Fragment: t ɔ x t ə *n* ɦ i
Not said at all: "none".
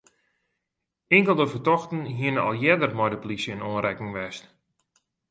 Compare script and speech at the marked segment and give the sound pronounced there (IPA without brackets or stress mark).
n